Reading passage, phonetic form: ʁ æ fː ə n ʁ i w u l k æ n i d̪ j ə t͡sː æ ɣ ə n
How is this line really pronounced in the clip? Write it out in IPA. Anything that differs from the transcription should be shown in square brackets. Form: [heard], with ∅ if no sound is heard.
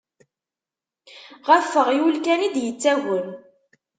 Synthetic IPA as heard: ʁ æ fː ə [∅] ʁ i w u l k æ n i d̪ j ə t͡sː æ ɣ ə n